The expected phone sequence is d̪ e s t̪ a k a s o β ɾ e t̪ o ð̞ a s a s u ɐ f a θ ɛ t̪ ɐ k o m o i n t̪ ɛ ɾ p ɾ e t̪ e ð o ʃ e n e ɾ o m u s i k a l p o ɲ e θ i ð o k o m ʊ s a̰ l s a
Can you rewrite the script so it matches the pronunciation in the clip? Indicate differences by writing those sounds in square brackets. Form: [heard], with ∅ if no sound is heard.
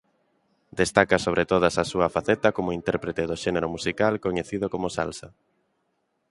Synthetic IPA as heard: d̪ e s t̪ a k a s o β ɾ e t̪ o ð̞ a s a s u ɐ f a θ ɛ t̪ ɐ k o m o i n t̪ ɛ ɾ p ɾ e t̪ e ð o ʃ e n e ɾ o m u s i k a l [k] o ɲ e θ i ð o k o m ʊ s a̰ l s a